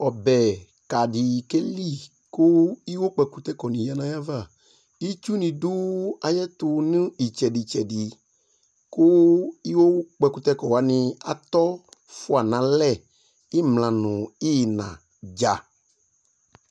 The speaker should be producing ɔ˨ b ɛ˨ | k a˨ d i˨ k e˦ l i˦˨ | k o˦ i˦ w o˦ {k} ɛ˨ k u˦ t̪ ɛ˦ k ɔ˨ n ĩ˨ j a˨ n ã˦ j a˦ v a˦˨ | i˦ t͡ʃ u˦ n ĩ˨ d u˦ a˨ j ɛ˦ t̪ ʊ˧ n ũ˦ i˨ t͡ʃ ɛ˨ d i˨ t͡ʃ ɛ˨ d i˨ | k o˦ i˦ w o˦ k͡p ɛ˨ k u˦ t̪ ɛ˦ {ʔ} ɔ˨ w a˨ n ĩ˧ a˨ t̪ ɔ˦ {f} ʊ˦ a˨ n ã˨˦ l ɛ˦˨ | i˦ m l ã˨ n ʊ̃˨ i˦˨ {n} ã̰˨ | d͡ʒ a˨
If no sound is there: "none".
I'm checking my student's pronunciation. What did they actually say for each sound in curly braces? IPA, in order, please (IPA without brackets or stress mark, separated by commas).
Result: k͡p, k, f, n